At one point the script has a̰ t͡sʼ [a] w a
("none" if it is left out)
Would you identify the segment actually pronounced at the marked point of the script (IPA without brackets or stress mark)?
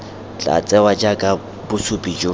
ɛ